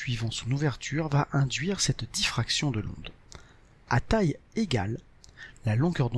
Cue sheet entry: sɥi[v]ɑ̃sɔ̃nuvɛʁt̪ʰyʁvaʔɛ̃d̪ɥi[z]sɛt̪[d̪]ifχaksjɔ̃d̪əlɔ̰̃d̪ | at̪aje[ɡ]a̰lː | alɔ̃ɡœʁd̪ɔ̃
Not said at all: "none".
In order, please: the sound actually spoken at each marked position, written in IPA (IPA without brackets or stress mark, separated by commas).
v, ʁ, d̪, ɡ